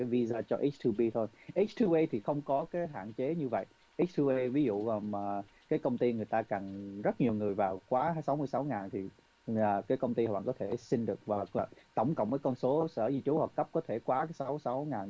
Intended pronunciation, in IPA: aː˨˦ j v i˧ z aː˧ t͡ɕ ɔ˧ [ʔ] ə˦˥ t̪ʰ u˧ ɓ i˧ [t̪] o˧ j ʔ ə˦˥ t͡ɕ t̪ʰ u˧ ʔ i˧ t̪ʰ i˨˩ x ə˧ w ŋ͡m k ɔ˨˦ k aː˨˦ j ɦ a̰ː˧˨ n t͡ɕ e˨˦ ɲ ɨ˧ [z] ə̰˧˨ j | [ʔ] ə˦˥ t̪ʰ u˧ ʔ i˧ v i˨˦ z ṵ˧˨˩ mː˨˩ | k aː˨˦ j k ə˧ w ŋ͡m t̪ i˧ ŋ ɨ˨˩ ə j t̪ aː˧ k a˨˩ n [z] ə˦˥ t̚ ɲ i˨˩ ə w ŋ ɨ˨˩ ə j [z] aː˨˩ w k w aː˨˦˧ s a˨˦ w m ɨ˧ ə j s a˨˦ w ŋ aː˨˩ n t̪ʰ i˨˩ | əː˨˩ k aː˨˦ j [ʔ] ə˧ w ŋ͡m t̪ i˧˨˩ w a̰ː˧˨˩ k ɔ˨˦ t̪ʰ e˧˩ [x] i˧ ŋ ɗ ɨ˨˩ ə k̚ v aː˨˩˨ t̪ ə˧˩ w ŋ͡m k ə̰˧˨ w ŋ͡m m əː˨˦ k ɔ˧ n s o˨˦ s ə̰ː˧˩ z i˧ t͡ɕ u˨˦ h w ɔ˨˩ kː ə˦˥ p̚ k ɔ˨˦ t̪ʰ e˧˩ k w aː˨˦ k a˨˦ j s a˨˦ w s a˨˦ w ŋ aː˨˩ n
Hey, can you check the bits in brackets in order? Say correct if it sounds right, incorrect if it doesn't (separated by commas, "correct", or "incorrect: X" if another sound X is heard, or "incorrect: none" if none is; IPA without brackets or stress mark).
correct, incorrect: t̪ʰ, incorrect: v, correct, correct, incorrect: v, incorrect: k, incorrect: s